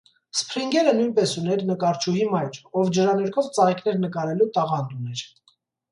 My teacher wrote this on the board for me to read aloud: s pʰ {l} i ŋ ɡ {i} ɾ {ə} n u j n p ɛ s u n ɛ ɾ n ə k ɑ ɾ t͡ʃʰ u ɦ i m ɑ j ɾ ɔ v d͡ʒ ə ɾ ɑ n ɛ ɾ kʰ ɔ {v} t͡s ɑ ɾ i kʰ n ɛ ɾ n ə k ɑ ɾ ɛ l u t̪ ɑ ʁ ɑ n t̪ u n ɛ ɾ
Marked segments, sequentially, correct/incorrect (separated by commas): incorrect, incorrect, correct, correct